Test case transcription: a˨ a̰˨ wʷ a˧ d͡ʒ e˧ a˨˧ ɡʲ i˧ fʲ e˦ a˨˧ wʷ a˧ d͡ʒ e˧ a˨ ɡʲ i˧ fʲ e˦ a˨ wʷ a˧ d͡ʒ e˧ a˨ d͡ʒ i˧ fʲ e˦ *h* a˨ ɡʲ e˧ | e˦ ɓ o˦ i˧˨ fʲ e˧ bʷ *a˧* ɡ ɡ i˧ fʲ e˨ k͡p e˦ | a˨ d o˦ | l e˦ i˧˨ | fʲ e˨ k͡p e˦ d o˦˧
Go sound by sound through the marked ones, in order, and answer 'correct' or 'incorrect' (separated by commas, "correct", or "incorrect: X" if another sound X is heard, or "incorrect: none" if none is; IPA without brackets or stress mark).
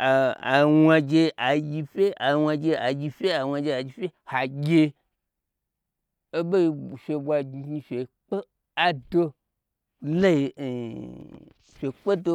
correct, correct